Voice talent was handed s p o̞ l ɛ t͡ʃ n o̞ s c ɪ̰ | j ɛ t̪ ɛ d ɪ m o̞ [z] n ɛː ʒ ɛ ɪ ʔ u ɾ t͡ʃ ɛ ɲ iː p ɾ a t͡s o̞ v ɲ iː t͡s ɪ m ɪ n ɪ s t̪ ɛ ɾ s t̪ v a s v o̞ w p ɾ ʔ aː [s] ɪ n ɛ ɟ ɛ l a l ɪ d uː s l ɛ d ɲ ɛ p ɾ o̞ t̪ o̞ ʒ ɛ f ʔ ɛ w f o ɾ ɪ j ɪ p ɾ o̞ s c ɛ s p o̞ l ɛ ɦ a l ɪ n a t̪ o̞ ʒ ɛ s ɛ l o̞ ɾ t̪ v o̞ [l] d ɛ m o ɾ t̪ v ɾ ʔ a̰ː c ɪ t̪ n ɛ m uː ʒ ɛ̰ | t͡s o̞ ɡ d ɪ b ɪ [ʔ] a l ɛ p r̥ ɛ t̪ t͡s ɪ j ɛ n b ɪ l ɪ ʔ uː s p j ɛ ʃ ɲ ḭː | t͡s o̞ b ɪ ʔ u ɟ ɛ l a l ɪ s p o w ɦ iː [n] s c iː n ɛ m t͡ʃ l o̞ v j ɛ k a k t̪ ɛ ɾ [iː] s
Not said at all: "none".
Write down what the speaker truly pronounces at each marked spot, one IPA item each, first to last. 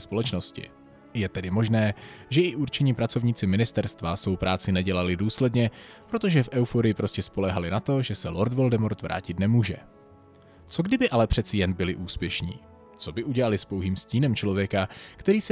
ʒ, t͡s, l, ʔ, m, iː

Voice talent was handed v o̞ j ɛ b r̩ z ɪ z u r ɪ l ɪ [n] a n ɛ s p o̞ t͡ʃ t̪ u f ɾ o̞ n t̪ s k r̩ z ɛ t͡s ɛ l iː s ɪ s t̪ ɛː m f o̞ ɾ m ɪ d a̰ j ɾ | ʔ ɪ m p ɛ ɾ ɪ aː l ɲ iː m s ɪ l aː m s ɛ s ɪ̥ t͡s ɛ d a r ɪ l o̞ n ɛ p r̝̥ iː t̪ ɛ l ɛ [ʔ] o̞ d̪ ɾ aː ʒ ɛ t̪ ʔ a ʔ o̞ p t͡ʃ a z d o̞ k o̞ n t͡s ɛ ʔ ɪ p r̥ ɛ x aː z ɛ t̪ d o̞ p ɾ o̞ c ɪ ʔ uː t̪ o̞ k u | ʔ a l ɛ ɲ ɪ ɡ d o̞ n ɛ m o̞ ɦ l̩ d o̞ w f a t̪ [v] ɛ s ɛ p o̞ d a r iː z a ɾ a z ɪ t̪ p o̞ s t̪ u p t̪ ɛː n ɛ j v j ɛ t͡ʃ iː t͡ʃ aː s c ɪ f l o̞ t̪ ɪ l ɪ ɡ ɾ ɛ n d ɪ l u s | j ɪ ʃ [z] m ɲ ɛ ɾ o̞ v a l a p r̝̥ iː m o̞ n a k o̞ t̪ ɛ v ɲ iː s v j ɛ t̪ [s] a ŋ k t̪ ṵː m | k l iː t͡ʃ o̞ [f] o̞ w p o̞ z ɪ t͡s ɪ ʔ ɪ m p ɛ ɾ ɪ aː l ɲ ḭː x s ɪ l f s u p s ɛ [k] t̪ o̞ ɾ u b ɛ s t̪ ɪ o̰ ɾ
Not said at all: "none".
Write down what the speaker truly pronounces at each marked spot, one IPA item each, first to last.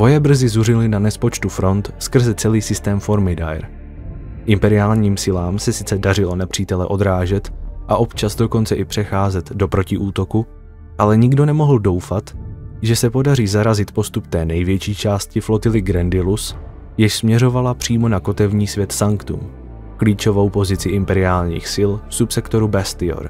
n, ʔ, ʒ, s, s, v, k

